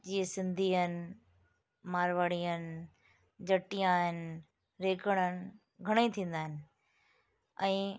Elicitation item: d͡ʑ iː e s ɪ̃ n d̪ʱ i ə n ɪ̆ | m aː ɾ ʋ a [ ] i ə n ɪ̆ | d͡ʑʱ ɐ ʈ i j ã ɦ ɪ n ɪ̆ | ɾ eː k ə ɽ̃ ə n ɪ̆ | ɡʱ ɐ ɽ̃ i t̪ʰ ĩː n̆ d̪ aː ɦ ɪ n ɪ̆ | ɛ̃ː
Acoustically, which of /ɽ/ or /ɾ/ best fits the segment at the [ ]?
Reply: ɽ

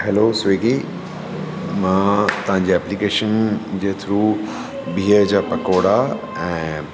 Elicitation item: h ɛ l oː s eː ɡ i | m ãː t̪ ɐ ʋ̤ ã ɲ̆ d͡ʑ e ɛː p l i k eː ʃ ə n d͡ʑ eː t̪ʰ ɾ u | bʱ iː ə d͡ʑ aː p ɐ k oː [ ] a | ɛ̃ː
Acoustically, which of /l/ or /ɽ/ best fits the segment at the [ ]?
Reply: ɽ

